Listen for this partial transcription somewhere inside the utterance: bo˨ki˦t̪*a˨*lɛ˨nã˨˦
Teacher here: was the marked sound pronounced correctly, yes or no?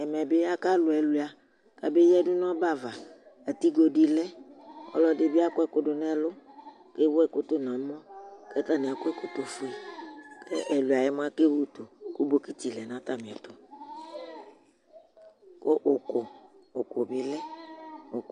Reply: no